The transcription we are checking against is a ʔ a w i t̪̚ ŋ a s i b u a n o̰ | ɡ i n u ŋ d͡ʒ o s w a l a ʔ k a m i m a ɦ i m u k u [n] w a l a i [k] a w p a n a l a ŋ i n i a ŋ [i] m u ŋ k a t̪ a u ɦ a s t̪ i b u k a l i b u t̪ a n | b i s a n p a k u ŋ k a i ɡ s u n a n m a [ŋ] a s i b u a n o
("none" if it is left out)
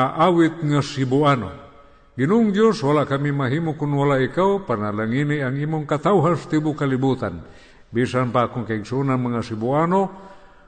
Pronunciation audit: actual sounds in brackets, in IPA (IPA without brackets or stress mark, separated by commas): n, k, i, ŋ